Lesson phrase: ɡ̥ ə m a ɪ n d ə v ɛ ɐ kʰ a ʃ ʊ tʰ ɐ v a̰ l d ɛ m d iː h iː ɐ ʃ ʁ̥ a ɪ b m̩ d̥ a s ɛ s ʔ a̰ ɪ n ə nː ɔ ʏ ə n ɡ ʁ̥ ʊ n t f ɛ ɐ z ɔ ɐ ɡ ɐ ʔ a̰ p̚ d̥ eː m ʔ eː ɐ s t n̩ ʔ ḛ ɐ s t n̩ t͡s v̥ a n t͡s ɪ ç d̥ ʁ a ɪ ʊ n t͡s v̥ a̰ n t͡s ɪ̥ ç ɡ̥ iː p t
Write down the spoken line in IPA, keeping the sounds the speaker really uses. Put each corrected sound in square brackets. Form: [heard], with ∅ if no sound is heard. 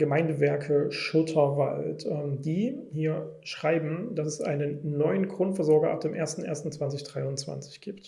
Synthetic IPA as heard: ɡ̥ ə m a ɪ n d ə v ɛ ɐ kʰ [ə] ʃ ʊ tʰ ɐ v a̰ l [t] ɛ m d iː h iː ɐ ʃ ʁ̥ a ɪ b m̩ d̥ a s ɛ s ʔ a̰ ɪ n ə nː ɔ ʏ ə n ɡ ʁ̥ ʊ n t f ɛ ɐ z ɔ ɐ ɡ ɐ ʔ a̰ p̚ d̥ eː m ʔ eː ɐ s t n̩ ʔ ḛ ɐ s t n̩ t͡s v̥ a n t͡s ɪ ç d̥ ʁ a ɪ ʊ n t͡s v̥ a̰ n t͡s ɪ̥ ç ɡ̥ iː p t